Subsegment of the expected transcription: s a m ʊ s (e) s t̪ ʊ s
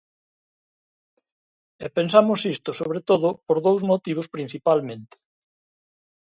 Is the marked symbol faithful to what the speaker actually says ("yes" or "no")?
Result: no